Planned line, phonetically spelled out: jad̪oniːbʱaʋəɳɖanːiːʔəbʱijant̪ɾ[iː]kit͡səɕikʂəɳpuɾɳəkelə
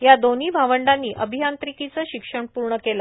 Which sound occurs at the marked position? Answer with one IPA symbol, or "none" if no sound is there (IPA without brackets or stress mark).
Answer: i